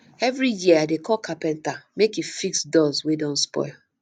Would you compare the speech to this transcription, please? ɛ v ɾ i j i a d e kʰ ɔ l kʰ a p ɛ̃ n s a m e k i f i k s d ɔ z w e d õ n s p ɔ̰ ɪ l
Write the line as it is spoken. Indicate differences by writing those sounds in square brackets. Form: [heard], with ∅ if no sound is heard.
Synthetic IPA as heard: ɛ v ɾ i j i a d e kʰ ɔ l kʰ a p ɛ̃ n [t] a m e k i f i k s d ɔ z w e d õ n s p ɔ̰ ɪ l